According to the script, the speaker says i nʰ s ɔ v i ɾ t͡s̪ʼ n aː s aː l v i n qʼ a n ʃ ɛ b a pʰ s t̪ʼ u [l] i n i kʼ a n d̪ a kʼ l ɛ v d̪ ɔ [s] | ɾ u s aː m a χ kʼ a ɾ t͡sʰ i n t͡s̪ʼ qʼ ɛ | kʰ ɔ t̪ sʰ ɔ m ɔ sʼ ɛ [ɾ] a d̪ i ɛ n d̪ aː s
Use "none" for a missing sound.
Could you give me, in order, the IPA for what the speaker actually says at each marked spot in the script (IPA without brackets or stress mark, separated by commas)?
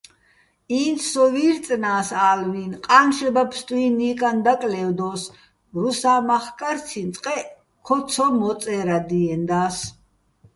none, s, ɾ